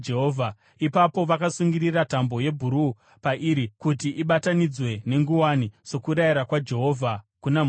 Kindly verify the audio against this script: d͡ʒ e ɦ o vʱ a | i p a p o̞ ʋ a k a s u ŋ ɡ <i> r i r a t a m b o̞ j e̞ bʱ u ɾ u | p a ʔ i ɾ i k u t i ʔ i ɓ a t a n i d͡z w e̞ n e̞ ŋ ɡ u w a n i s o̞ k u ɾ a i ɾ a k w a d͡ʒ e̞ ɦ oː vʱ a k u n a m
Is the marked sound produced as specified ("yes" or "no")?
yes